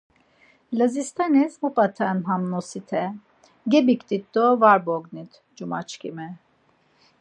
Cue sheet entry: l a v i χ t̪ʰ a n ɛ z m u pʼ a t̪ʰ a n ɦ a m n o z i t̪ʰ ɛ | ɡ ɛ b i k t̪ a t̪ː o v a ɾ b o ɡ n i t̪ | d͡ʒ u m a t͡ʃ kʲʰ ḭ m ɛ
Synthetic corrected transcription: l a z i s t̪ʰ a n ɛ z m u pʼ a t̪ʰ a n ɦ a m n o s i t̪ʰ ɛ | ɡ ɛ b i k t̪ i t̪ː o v a ɾ b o ɡ n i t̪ | d͡ʒ u m a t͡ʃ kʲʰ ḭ m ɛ